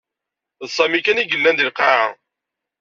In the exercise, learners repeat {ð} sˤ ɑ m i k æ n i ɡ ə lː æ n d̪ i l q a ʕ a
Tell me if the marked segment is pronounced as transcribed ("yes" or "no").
yes